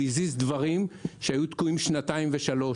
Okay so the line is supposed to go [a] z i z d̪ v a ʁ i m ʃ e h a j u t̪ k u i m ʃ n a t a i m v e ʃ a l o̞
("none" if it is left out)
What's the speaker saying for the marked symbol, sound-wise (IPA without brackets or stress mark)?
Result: i